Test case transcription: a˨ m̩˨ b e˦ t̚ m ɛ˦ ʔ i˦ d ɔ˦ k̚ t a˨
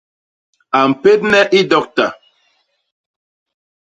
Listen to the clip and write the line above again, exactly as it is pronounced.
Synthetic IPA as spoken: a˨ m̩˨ p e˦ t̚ n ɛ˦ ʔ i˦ d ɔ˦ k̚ t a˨